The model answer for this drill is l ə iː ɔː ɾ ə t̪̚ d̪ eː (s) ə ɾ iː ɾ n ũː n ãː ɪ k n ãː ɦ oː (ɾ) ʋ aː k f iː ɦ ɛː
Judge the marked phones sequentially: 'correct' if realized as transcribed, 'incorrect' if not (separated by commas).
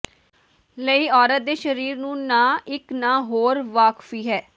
incorrect, correct